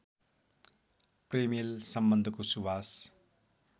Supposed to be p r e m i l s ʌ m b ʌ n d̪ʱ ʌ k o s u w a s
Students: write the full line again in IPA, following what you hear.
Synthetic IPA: p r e m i l s ʌ m b ʌ n d̪ʱ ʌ k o s u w a s